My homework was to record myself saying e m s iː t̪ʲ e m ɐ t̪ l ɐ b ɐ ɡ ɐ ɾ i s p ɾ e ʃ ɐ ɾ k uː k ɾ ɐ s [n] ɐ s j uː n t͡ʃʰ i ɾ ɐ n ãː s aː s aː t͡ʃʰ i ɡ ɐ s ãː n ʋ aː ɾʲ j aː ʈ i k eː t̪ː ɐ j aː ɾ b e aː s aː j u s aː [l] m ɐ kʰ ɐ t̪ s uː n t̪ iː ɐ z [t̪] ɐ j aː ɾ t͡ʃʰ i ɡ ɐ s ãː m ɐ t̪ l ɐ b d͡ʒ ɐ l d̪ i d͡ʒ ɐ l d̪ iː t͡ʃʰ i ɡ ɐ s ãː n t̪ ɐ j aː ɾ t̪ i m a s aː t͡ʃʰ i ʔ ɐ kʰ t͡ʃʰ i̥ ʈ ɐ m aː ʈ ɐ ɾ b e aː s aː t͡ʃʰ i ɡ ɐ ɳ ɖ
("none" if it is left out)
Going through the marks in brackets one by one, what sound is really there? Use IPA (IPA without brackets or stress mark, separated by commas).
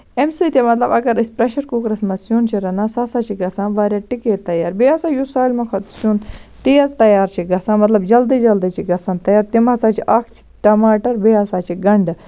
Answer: m, l, t̪